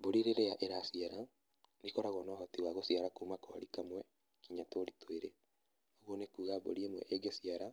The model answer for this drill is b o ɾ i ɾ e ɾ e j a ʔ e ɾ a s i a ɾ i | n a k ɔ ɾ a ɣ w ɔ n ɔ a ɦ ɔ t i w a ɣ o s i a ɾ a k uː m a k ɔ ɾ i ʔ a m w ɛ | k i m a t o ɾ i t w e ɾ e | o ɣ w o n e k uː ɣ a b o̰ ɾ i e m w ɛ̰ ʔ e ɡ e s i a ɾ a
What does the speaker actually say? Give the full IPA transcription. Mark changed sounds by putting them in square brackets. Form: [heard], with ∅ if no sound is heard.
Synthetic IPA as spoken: b o ɾ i ɾ e ɾ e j a ʔ e ɾ a s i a ɾ [a] | n [i] k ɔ ɾ a ɣ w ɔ n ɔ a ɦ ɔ t i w a ɣ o s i a ɾ a k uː m a k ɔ ɾ i [k] a m w ɛ | k i [ɲ] a t o ɾ i t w e ɾ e | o ɣ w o n e k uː ɣ a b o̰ ɾ i e m w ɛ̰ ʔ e ɡ e s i a ɾ a